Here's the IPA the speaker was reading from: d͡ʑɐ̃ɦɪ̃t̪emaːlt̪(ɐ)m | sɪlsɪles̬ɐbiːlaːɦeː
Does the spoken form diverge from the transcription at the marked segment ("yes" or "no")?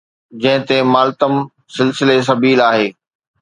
yes